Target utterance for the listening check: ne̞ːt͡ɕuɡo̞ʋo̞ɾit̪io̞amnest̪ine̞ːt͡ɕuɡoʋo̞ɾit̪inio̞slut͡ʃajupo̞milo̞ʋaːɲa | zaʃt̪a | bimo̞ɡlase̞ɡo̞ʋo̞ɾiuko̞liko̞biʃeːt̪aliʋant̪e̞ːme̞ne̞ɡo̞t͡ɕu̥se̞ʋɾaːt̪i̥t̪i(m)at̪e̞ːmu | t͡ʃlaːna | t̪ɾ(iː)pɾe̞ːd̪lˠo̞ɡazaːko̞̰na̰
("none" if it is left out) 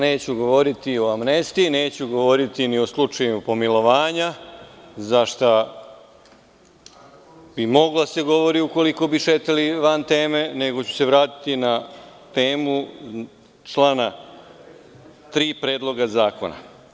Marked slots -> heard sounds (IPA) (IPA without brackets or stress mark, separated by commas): n, iː